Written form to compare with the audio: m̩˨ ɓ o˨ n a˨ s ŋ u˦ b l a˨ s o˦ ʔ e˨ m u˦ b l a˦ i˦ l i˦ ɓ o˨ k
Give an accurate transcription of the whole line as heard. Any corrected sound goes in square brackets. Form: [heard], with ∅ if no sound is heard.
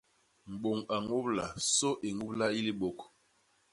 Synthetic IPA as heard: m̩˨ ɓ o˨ [ŋ] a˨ [∅] ŋ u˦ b l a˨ s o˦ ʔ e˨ [ŋ] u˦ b l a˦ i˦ l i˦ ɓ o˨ k